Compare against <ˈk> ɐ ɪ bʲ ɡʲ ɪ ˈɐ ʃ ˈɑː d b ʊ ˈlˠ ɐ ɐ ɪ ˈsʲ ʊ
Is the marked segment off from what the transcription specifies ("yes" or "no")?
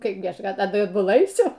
no